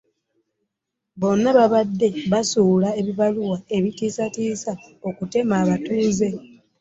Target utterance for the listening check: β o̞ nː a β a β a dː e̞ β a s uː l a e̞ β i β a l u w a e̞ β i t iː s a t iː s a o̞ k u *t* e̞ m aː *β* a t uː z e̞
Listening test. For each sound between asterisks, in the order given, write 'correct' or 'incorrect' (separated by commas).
correct, correct